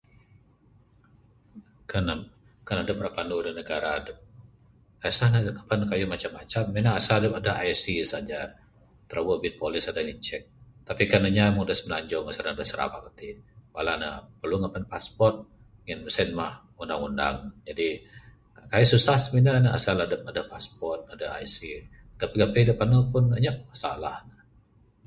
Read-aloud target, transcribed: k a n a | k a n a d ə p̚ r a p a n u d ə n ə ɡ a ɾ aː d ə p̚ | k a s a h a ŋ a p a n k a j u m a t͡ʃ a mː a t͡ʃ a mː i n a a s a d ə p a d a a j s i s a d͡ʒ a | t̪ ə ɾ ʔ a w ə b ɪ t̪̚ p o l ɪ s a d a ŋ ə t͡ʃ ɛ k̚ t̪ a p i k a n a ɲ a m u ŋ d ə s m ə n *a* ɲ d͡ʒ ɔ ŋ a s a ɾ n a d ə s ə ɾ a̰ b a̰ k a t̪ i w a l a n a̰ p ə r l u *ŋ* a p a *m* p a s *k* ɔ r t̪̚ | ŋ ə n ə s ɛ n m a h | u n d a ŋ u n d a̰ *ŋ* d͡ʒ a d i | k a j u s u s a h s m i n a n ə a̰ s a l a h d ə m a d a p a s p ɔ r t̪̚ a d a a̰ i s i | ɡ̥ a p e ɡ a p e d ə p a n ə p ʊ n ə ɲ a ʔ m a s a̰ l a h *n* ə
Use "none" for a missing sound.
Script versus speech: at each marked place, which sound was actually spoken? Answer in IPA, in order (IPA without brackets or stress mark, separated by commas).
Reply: a, ŋ, n, p, ŋ, n